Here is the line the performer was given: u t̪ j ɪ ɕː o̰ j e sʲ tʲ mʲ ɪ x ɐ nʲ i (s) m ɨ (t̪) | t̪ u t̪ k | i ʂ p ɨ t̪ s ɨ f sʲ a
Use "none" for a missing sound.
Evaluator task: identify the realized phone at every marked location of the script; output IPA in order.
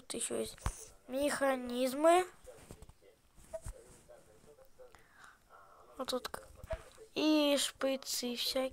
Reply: z, none

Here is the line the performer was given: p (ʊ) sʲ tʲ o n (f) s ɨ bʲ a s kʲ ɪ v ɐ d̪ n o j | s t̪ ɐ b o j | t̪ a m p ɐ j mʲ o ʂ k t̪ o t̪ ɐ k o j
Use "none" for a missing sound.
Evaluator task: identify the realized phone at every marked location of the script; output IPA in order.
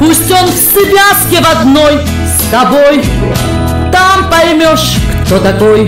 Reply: u, f

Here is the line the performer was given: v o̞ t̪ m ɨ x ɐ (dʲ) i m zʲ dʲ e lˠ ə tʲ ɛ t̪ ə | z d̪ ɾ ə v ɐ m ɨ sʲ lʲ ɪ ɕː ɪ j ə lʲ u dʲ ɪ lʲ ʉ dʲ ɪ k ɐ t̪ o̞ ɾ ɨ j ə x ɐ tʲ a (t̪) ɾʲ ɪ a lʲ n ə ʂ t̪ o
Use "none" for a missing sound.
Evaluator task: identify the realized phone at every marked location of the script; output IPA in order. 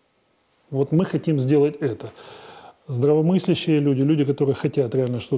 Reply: tʲ, t̪

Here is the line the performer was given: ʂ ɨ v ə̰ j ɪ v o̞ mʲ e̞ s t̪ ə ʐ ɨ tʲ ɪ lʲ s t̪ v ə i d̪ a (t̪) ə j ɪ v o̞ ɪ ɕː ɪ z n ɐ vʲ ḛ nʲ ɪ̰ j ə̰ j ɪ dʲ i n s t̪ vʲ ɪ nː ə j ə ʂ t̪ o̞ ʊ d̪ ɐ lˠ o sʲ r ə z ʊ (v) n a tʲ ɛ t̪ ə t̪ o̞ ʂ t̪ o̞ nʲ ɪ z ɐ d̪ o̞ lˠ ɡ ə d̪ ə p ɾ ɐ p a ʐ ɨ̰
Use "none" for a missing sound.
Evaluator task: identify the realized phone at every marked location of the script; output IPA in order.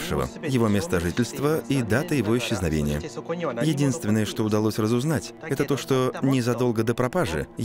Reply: t̪, z

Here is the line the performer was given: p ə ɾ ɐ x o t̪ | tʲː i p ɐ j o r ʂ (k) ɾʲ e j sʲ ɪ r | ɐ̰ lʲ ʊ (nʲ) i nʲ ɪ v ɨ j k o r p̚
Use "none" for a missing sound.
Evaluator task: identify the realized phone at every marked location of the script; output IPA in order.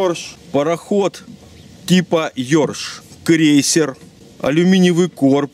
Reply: k, mʲ

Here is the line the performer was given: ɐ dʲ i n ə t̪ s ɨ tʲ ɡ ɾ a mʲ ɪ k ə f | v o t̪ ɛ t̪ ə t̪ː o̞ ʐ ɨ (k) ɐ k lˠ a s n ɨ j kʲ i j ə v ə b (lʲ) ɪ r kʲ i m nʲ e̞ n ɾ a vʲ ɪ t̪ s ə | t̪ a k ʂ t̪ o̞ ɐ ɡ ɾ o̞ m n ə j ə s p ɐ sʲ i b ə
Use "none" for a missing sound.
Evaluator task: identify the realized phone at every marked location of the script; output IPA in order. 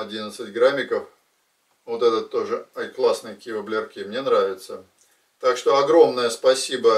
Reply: none, lʲ

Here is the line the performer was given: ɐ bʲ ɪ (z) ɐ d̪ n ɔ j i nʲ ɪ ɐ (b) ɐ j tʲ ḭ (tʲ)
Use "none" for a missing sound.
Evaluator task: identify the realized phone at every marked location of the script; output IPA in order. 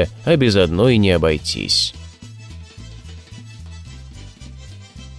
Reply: z, b, sʲ

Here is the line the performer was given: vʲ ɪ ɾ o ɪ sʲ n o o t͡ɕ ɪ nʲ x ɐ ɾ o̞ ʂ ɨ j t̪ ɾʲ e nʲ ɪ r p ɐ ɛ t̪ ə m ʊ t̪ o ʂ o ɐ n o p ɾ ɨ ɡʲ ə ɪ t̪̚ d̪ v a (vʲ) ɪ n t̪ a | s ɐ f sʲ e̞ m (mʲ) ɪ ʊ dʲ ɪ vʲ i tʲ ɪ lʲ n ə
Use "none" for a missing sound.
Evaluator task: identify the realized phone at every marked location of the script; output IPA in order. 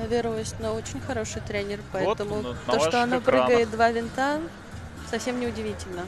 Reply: vʲ, nʲ

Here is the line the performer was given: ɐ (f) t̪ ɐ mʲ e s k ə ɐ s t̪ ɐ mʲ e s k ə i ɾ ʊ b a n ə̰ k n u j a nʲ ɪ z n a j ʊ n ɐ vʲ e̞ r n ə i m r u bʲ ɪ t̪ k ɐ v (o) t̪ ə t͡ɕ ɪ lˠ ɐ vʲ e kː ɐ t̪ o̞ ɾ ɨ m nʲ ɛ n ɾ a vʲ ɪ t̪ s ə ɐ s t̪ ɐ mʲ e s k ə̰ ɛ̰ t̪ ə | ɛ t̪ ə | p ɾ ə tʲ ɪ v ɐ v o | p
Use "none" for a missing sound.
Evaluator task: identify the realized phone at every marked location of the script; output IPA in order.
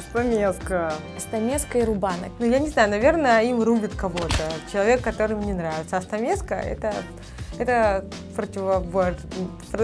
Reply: s, o

